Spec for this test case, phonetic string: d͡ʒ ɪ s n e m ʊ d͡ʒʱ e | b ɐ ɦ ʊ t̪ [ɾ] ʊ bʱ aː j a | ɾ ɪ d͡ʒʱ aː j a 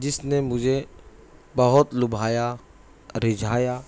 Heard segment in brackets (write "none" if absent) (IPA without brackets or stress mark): l